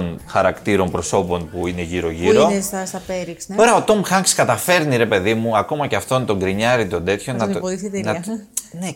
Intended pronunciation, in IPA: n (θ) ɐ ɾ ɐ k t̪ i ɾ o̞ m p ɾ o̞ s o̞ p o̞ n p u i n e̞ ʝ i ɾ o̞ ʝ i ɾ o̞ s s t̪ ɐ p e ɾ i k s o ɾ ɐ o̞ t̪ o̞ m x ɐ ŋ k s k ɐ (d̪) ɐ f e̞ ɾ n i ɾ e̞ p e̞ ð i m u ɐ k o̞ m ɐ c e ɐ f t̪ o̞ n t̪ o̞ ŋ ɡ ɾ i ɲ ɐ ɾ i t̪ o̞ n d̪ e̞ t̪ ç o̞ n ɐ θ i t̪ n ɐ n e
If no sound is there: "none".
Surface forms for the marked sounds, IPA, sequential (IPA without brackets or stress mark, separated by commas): x, t̪